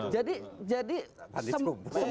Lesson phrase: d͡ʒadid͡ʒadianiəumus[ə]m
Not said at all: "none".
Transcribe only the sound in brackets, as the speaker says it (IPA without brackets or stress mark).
ə